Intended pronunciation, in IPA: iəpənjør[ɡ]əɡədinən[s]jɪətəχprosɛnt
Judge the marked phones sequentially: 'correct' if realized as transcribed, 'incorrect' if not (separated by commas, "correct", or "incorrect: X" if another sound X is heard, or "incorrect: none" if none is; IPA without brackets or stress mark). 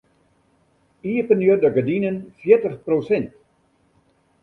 incorrect: d, incorrect: f